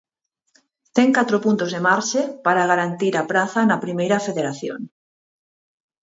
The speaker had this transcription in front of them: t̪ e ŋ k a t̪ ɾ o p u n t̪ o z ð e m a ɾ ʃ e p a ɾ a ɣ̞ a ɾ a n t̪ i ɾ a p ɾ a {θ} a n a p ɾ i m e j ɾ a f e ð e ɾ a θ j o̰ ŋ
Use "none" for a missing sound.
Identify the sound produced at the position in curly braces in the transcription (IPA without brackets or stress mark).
θ